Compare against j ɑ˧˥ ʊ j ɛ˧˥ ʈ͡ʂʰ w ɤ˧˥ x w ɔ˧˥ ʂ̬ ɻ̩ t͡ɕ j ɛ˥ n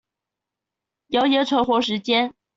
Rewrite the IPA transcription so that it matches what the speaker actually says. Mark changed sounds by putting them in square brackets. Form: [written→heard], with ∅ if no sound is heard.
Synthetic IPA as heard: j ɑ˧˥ ʊ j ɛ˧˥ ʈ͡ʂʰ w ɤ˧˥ x w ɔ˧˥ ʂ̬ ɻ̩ t͡ɕ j ɛ˥ n